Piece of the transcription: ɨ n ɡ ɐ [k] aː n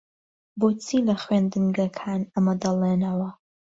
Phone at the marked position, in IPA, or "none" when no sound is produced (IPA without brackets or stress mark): kʰ